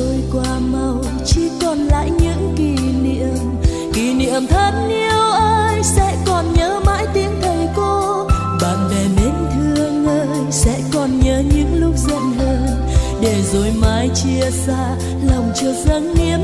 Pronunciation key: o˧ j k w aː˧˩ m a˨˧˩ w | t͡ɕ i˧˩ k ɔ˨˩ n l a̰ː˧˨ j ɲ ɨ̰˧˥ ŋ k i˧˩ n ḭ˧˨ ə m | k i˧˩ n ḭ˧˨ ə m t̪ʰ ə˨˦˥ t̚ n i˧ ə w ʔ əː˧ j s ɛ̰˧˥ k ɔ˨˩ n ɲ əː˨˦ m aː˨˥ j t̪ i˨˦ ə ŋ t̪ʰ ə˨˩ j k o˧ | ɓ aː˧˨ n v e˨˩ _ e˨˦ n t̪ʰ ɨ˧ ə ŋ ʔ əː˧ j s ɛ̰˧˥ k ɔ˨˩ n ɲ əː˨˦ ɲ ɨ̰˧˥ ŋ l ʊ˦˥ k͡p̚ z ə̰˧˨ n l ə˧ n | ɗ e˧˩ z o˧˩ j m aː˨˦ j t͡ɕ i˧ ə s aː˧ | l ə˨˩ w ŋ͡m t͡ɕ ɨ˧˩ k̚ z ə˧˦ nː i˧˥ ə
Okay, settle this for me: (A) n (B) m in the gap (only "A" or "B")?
B